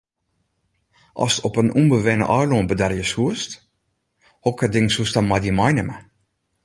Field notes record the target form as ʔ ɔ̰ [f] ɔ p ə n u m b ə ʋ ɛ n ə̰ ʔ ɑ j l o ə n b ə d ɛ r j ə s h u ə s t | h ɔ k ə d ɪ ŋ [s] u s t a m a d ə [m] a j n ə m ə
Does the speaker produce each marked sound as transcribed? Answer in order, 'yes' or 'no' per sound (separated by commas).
no, yes, yes